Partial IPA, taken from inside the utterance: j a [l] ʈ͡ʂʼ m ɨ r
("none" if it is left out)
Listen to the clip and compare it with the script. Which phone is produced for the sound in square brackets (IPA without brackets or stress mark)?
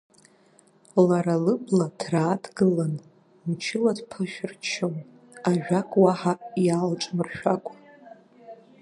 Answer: l